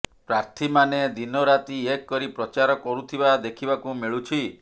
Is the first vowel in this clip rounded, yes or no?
no